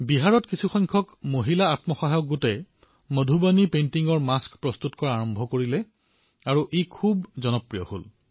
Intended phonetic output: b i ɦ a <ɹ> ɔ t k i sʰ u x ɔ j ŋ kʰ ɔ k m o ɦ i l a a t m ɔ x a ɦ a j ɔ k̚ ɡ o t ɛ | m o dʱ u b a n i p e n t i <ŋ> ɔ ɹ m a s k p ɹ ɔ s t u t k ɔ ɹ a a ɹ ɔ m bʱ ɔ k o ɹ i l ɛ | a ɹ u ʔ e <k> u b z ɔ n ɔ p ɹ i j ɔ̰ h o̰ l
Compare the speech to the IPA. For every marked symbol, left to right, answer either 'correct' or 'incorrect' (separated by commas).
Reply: correct, correct, incorrect